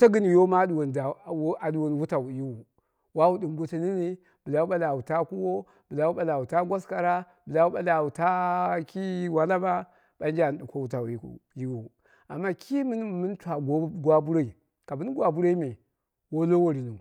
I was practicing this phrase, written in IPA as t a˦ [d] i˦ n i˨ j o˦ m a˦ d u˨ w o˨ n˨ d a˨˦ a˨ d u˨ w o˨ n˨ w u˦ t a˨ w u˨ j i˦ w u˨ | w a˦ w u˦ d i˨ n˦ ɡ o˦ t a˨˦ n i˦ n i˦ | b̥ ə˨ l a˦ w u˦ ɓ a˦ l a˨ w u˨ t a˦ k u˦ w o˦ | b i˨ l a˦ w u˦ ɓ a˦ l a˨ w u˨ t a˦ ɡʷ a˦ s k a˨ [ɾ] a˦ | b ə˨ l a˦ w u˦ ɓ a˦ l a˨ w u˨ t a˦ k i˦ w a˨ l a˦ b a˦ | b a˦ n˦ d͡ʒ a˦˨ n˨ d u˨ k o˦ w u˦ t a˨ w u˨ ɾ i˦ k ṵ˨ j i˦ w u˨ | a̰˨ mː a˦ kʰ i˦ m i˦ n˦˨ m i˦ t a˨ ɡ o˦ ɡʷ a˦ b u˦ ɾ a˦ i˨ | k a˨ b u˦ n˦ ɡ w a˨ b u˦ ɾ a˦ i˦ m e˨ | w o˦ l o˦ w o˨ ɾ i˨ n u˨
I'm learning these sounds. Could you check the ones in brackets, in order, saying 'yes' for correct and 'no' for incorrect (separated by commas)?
no, yes